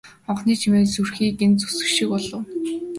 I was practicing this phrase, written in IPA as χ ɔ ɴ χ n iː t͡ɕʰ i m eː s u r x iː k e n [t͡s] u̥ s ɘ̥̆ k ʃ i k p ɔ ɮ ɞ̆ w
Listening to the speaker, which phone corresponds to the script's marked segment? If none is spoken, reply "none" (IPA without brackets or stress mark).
t͡s